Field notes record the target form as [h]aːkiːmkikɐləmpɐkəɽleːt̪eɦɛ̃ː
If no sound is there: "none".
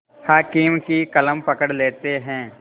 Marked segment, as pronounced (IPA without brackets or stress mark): h